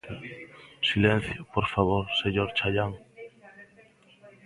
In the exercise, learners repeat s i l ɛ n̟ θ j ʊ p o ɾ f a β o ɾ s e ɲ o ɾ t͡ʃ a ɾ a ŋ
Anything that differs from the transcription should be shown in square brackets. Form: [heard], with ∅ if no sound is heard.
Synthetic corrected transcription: s i l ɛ n̟ θ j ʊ p o ɾ f a β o ɾ s e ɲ o ɾ t͡ʃ a [ʎ] a ŋ